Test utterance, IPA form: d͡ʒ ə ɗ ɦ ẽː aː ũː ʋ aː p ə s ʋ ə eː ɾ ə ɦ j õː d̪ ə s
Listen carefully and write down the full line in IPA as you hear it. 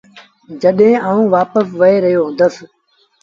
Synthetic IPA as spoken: d͡ʒ ə ɗ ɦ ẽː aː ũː ʋ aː p ə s ʋ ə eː ɾ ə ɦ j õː d̪ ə s